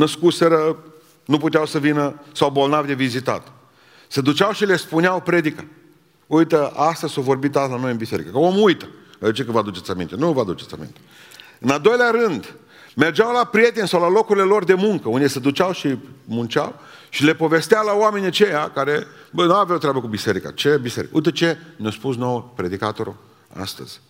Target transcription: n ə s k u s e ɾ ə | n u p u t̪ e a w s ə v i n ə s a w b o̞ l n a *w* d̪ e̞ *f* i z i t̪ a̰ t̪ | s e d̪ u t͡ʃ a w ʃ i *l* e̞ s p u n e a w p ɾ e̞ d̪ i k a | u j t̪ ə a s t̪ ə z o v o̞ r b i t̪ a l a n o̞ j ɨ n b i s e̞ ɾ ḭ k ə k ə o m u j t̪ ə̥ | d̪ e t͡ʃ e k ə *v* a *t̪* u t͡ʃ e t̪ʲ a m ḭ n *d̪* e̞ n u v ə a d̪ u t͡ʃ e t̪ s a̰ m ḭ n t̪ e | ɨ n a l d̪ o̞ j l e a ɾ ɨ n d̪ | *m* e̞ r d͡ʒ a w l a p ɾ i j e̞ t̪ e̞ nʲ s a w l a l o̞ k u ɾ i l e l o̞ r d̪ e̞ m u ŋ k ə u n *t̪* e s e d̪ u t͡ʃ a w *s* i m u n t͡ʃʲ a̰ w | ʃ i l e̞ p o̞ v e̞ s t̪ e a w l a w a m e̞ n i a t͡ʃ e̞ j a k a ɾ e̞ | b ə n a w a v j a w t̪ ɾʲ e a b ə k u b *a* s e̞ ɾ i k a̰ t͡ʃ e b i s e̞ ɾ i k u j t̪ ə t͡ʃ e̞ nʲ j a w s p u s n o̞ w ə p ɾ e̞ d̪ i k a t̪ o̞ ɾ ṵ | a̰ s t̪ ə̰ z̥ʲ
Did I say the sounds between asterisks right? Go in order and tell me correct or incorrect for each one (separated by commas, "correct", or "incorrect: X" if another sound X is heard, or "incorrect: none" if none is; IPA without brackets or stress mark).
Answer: incorrect: v, incorrect: v, correct, correct, incorrect: d̪, incorrect: t̪, correct, incorrect: d̪, incorrect: ʃ, incorrect: i